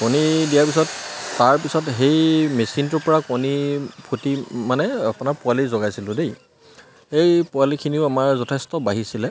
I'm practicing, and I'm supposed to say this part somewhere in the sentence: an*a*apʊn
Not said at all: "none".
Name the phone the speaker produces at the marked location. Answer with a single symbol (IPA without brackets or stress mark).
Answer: ɛ